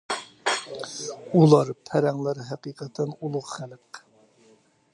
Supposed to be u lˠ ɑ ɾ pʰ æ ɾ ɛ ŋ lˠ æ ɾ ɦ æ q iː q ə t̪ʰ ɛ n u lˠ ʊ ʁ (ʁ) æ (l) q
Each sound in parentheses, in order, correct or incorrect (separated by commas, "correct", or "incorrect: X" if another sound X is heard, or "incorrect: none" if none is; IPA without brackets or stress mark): incorrect: χ, correct